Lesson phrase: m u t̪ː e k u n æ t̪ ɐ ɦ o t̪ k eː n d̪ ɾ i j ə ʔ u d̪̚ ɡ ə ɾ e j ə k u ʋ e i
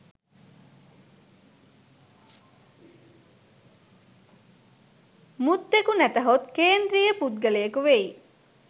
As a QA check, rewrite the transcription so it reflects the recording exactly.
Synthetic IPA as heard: m u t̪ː e k u n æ t̪ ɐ ɦ o t̪ k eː n d̪ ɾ i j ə p u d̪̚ ɡ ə l e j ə k u ʋ e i